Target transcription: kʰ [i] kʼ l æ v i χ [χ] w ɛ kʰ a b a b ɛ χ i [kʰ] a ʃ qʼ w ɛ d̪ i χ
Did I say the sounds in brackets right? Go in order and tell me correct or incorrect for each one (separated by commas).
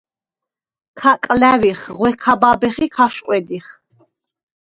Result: incorrect, incorrect, correct